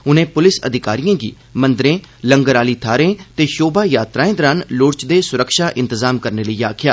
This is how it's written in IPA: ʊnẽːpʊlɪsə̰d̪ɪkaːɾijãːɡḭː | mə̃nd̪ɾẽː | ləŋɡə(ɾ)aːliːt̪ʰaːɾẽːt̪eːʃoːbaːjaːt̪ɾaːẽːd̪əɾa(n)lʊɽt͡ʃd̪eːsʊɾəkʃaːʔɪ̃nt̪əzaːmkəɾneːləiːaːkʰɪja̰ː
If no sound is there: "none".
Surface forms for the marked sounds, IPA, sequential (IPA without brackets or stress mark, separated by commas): ɾ, n